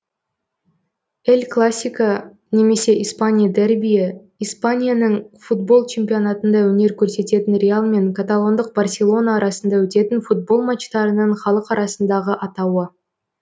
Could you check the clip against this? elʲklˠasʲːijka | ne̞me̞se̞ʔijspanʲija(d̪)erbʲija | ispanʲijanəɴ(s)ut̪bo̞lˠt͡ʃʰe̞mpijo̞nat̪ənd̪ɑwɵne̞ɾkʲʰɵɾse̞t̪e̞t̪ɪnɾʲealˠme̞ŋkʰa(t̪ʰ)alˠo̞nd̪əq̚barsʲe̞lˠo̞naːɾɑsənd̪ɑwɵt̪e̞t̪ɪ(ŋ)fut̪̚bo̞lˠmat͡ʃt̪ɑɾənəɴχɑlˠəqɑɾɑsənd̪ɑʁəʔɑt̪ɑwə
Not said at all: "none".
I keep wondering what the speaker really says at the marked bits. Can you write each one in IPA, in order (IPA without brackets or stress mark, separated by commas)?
d̪, f, t̪, n